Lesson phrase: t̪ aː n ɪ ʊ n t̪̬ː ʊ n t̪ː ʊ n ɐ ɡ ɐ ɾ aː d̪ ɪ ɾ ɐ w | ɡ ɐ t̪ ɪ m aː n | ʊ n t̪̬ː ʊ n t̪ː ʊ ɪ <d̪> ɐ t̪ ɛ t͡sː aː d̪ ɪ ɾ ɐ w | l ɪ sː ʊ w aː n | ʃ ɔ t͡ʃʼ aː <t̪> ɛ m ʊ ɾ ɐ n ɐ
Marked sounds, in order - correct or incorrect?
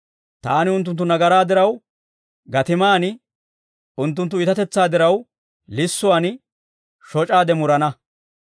incorrect: t̪, incorrect: d̪

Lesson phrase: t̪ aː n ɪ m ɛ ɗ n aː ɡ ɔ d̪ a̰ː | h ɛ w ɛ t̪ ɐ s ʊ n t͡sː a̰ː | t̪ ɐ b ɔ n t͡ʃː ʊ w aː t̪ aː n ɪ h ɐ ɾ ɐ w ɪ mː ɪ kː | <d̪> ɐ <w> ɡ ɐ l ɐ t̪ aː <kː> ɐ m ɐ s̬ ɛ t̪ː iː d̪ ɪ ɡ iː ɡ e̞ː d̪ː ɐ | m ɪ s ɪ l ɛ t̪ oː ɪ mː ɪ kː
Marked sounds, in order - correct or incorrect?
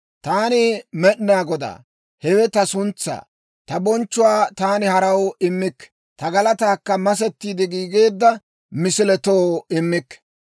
incorrect: t̪, incorrect: none, correct

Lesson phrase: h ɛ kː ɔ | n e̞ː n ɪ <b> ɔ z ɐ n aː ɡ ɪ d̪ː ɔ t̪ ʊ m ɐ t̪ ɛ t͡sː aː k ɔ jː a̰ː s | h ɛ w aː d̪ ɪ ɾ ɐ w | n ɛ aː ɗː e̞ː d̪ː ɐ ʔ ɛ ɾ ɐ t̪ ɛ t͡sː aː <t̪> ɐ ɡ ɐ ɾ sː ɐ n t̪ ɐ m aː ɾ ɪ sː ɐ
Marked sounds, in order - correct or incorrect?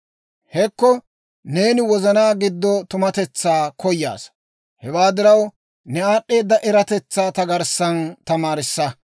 incorrect: w, correct

